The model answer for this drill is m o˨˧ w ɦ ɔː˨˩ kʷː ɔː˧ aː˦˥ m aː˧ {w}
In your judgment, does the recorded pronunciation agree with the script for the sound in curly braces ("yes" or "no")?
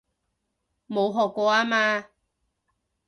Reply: no